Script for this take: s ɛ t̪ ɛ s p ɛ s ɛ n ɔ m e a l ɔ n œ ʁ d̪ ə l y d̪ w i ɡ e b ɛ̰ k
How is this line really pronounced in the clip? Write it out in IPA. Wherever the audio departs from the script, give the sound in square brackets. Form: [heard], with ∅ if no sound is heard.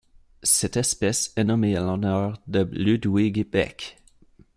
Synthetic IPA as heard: s ɛ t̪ ɛ s p ɛ s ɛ n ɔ m e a l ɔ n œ ʁ d̪ ə l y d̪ w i ɡ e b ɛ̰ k